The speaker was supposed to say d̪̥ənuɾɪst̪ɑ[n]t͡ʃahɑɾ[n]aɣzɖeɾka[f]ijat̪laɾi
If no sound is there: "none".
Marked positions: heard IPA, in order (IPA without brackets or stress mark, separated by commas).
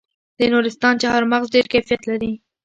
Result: n, m, f